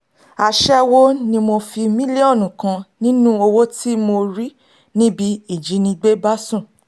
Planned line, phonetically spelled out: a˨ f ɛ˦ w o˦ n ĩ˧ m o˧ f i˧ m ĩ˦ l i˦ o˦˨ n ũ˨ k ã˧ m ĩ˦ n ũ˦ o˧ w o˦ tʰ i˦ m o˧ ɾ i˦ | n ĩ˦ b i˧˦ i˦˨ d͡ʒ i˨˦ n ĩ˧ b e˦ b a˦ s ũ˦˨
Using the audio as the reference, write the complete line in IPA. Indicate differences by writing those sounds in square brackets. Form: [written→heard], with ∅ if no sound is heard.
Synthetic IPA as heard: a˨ [f→ʃ] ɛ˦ w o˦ n ĩ˧ m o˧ f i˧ m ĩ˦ l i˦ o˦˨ n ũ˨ k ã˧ [m→n] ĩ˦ n ũ˦ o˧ w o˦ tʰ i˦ m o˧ ɾ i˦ | n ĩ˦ b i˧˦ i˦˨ d͡ʒ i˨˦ n ĩ˧ [b→ɡ͡b] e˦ b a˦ s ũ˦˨